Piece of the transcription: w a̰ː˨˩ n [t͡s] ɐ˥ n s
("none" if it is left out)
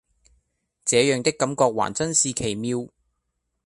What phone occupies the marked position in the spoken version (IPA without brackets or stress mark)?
t͡s